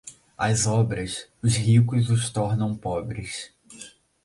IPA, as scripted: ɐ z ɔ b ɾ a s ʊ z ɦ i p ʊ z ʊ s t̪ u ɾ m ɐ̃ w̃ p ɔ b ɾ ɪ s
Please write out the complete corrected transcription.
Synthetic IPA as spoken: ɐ z ɔ b ɾ ɐ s ʊ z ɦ i k ʊ z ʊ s t̪ ɔ ɾ n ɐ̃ w̃ p ɔ b ɾ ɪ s